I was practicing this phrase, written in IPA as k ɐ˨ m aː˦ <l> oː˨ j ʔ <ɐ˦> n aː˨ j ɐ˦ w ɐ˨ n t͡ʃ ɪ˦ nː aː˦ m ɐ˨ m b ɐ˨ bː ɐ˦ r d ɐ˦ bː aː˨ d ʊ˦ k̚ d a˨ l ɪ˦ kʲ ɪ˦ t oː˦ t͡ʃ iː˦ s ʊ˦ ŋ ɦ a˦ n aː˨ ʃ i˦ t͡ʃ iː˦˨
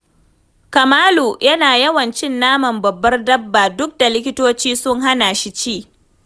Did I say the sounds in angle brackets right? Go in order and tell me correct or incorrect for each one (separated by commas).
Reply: correct, correct